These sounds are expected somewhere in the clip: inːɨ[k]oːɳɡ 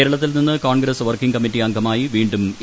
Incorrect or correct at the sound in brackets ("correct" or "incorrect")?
correct